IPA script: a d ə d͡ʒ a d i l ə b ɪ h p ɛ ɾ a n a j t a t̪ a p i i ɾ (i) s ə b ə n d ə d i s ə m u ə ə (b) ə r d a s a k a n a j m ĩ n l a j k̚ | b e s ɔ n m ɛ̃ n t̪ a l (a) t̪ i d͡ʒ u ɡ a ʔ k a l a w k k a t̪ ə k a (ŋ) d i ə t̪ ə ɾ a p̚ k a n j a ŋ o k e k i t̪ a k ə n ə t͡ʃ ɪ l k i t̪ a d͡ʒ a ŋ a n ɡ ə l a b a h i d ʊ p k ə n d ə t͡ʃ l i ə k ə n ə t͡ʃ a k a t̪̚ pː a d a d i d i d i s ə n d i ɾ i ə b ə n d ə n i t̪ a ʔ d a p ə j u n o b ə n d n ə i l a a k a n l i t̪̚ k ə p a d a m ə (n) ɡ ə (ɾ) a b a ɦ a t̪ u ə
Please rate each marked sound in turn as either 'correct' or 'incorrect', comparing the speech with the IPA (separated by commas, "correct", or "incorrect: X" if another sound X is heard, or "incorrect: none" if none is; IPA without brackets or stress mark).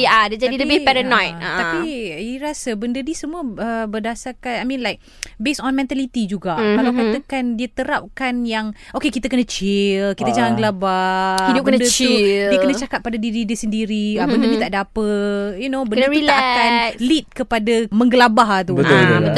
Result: incorrect: a, correct, incorrect: i, incorrect: n, incorrect: ŋ, incorrect: l